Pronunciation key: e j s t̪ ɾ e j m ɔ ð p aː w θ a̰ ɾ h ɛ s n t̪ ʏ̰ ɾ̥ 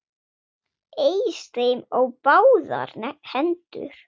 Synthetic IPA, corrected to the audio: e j s t̪ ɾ e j m ɔ ɣ p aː w ð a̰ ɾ h ɛ n t̪ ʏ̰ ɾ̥